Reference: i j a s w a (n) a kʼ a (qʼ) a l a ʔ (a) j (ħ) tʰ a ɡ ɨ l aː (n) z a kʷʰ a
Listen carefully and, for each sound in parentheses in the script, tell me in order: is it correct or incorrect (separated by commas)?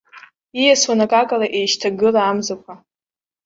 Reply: correct, incorrect, incorrect, incorrect, incorrect